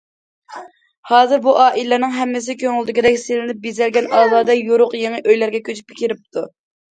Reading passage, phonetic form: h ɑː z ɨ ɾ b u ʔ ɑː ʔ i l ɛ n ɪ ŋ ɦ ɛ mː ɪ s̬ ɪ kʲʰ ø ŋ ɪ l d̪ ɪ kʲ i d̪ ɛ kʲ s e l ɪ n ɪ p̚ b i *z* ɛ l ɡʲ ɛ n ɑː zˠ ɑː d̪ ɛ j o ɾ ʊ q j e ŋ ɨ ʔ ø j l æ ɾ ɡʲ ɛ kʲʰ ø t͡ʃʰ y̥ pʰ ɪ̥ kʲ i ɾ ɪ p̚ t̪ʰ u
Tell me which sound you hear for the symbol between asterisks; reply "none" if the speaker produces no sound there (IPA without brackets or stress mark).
z